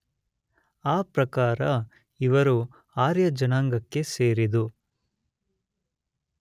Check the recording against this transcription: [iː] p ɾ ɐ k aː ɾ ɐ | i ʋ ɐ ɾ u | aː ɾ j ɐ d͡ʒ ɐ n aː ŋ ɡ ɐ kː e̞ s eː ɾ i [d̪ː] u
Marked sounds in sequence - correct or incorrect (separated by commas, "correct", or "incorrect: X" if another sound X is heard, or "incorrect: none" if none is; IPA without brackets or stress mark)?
incorrect: aː, incorrect: d̪